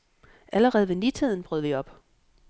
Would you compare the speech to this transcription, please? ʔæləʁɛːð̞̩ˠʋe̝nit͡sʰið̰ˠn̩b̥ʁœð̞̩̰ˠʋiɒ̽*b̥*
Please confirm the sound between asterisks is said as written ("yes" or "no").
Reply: yes